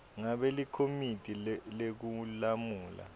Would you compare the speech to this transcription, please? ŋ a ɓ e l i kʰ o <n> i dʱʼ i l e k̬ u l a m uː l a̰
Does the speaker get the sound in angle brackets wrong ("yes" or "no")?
yes